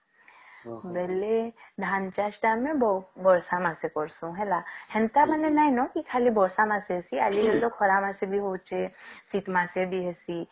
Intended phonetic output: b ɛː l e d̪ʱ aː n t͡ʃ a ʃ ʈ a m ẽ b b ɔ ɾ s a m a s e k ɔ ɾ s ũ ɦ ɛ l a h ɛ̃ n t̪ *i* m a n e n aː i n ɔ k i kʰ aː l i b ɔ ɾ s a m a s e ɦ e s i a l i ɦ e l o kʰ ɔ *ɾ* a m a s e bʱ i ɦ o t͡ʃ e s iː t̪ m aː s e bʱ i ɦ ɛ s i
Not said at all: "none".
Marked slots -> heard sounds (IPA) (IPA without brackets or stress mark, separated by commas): a, ɾ